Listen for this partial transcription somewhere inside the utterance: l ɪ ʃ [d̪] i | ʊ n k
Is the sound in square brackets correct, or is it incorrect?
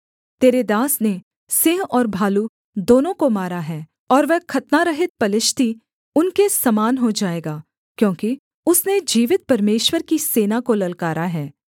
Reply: incorrect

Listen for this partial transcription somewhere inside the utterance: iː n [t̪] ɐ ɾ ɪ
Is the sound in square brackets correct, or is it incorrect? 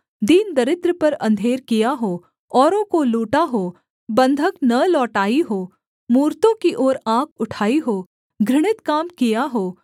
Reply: incorrect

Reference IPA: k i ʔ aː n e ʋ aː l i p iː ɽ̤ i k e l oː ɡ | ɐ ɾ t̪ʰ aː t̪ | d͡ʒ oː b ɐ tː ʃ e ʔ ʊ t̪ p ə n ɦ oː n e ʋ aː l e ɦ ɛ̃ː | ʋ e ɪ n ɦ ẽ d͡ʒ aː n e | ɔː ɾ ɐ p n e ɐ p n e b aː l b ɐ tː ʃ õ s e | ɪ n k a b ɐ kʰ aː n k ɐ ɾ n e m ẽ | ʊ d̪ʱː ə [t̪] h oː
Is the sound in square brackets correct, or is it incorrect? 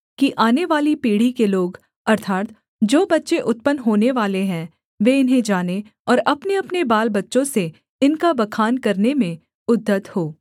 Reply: correct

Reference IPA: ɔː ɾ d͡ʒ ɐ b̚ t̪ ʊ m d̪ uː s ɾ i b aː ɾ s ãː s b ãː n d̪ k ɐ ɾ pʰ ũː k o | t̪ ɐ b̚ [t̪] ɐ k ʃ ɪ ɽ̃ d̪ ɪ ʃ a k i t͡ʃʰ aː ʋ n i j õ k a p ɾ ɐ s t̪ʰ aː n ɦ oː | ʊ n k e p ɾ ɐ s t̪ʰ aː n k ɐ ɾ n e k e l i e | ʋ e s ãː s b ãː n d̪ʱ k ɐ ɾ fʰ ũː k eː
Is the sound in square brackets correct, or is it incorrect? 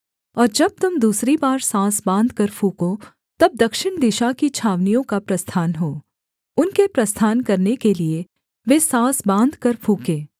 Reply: incorrect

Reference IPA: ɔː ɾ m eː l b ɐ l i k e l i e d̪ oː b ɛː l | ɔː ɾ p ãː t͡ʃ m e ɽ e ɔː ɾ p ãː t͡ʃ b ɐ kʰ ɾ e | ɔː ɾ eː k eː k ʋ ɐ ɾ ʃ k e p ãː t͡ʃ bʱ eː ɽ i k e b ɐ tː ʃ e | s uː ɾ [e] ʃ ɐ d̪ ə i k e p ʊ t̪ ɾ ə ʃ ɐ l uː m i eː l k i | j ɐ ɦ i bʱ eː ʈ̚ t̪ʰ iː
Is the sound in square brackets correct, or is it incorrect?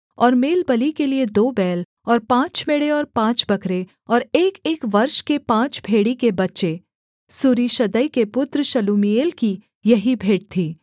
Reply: incorrect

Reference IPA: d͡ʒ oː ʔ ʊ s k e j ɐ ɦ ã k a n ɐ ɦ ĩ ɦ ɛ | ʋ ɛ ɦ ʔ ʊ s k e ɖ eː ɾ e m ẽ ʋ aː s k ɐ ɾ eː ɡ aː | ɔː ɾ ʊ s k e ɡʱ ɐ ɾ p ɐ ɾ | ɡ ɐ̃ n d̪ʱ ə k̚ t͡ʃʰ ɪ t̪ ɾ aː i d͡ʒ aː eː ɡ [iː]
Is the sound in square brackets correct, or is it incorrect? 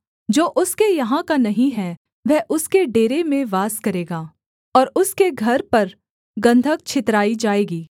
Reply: correct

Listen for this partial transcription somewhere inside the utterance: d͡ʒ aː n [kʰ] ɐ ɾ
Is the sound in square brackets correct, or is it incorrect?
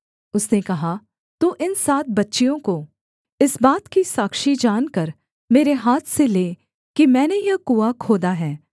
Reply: incorrect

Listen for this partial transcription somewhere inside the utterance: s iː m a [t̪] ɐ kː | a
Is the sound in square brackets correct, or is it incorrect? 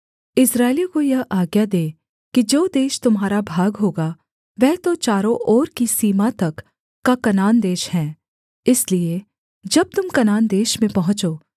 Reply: correct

